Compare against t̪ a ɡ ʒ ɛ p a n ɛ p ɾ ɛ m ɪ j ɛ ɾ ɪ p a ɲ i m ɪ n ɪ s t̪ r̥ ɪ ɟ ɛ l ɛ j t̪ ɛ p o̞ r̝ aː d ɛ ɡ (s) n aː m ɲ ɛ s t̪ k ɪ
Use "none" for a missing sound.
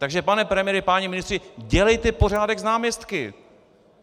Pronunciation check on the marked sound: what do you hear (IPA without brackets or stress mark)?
z